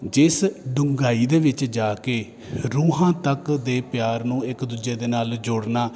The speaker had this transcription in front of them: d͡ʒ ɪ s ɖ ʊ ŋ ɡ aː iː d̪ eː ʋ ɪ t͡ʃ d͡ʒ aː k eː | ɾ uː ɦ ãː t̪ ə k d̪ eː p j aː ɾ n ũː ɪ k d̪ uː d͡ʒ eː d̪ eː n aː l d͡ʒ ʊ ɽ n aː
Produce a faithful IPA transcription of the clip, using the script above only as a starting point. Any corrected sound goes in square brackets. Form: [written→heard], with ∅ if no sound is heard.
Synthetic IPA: d͡ʒ ɪ s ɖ ʊ ŋ ɡ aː iː d̪ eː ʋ ɪ t͡ʃ d͡ʒ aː k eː | ɾ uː ɦ ãː t̪ ə k d̪ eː p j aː ɾ n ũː ɪ k d̪ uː d͡ʒ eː d̪ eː n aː l d͡ʒ ʊ ɽ n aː